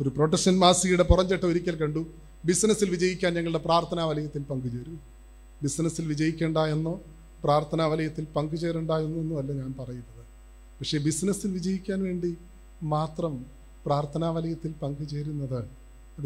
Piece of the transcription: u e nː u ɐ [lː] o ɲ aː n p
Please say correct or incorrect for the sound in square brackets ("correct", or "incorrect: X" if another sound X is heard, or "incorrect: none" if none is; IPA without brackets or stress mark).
correct